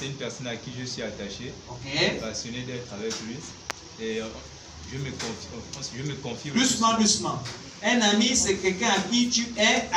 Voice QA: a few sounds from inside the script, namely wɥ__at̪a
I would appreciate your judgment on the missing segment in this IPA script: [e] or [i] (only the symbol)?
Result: i